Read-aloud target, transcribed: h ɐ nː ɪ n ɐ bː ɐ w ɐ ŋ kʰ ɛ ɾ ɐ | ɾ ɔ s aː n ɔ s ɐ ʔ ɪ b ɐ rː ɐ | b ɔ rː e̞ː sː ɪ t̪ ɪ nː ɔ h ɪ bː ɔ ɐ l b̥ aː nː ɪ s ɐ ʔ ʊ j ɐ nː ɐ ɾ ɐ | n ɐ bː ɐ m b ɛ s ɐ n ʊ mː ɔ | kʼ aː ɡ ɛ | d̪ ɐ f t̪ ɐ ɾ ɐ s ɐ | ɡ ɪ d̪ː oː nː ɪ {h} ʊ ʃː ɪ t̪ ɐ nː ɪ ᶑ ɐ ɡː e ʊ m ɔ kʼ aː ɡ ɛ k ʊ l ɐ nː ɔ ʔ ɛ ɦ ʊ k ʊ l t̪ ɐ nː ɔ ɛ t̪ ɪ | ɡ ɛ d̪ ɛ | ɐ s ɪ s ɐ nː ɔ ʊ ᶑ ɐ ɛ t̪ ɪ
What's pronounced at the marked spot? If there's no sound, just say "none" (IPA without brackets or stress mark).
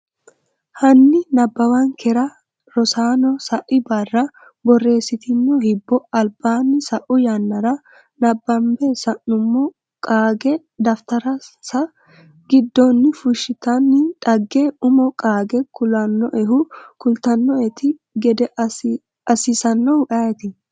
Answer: f